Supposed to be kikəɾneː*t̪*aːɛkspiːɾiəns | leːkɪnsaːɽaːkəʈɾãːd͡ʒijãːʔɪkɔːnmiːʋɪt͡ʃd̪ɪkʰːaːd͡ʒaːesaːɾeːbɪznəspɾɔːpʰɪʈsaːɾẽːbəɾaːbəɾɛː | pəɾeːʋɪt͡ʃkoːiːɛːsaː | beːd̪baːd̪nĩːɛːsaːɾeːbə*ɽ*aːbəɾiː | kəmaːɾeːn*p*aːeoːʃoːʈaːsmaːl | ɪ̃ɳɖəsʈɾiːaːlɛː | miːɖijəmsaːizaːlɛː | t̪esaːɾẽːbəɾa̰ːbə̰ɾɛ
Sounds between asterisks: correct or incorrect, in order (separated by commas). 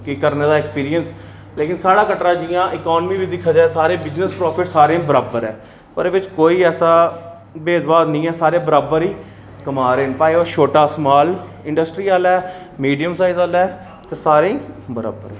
incorrect, incorrect, correct